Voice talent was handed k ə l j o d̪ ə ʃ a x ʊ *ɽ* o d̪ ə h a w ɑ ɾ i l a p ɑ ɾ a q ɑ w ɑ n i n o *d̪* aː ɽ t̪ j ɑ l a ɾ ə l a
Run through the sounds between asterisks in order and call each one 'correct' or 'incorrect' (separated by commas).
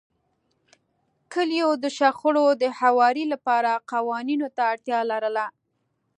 correct, incorrect